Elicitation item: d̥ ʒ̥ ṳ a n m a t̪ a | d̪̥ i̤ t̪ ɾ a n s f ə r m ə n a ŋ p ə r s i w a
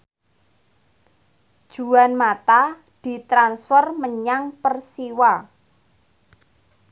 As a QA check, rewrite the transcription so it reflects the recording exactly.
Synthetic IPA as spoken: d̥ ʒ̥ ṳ a n m a t̪ a | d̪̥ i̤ t̪ ɾ a n s f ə r m ə ɲ a ŋ p ə r s i w a